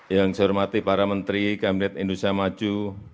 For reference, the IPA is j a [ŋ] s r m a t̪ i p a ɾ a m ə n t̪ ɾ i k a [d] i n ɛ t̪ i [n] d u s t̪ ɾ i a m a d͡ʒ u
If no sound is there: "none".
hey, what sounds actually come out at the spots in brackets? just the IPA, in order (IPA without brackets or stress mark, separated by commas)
ŋ, b, n